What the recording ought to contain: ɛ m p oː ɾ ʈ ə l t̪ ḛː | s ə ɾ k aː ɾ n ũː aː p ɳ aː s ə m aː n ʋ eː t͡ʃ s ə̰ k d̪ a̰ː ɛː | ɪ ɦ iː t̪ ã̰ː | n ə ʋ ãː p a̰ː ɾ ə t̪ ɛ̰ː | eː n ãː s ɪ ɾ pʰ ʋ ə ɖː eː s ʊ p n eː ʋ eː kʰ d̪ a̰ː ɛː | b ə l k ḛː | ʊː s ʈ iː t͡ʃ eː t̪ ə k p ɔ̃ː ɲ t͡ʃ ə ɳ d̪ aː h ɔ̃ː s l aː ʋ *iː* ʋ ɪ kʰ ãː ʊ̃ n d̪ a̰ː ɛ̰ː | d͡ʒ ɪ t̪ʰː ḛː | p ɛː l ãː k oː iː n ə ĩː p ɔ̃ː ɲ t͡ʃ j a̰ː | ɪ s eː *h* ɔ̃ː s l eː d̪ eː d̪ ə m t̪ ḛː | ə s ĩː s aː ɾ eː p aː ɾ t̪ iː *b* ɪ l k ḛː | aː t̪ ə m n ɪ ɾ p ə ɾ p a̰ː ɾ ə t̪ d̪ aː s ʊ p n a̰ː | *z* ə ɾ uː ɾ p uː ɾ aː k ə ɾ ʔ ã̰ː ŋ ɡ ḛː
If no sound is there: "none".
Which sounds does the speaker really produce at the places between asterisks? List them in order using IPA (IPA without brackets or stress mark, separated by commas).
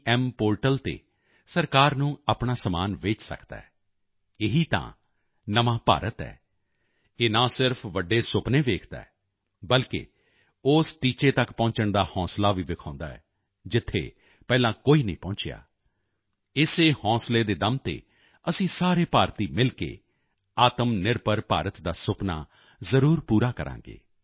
iː, h, m, z